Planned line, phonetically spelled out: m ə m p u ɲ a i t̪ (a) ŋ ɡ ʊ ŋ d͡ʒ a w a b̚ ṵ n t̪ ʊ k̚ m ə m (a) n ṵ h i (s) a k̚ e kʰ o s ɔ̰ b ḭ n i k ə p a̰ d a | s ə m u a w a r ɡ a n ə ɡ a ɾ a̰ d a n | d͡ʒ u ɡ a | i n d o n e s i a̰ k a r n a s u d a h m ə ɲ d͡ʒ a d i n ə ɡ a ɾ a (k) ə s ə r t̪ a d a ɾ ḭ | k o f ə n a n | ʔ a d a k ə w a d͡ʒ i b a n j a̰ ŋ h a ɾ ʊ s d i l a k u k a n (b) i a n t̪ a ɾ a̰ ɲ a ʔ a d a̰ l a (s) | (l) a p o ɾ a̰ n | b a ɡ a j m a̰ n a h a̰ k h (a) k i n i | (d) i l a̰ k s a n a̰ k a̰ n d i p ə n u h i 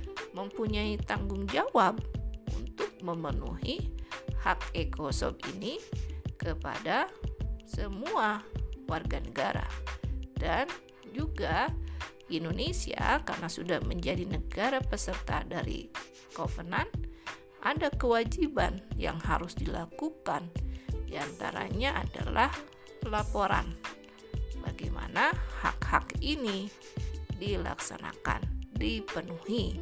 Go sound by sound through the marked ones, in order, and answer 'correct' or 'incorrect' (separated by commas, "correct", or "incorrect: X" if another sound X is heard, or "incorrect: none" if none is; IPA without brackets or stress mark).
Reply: correct, incorrect: ə, incorrect: h, incorrect: p, incorrect: d, incorrect: h, correct, correct, correct